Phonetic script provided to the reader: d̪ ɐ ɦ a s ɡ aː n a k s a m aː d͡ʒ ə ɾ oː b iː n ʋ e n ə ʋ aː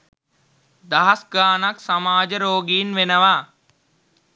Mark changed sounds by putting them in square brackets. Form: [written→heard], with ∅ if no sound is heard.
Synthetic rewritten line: d̪ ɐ ɦ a s ɡ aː n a k s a m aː d͡ʒ ə ɾ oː [b→ɡ] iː n ʋ e n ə ʋ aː